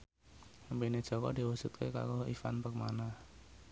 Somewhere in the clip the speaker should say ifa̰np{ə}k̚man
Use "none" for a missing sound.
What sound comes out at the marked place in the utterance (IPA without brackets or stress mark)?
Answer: ə